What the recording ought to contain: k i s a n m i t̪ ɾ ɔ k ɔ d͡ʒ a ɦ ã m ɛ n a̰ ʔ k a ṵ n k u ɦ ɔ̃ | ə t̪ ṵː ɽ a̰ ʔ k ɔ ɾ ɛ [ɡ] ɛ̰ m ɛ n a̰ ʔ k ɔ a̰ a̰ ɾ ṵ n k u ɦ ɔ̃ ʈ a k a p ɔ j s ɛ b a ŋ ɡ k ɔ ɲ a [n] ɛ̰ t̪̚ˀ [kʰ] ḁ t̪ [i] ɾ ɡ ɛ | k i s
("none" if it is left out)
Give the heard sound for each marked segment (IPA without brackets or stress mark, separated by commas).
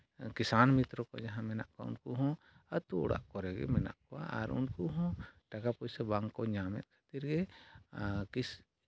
ɡ, m, kʰ, i